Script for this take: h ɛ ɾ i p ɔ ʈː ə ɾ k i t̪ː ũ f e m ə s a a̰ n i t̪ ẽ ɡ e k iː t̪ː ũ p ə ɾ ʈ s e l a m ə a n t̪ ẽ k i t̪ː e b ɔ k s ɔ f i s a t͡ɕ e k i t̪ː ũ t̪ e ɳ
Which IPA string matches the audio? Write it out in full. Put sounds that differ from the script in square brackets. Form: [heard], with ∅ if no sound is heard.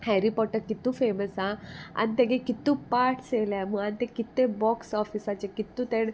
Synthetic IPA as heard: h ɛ ɾ i p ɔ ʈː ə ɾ k i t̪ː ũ f e m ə s a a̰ n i t̪ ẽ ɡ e k [i] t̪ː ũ p [a] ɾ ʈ s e l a m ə a n t̪ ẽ k i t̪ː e b ɔ k s ɔ f i s a t͡ɕ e k i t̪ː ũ t̪ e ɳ